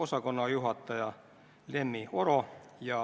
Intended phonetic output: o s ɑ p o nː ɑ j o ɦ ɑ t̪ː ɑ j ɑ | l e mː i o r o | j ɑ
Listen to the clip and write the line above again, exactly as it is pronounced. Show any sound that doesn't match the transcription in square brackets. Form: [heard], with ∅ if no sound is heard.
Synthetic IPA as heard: o s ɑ [k] o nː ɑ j [u] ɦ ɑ t̪ː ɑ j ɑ | l e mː i o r o | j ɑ